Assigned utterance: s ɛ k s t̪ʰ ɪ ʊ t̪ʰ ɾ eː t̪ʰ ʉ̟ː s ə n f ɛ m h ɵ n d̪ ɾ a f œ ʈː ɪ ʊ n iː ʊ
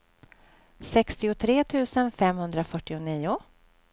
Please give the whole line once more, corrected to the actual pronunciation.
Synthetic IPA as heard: s ɛ k s t̪ ɪ ʊ t̪ʰ ɾ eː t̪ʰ ʉ̟ː s ə n f ɛ m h ɵ n d̪ ɾ a f œ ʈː ɪ ʊ n iː ʊ

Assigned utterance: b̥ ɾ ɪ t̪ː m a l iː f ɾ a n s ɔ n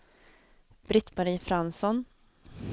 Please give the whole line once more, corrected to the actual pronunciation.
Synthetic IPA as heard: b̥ ɾ ɪ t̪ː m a ɾ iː f ɾ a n s ɔ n

